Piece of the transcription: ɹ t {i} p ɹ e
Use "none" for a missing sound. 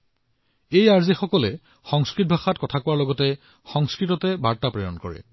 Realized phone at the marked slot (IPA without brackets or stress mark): a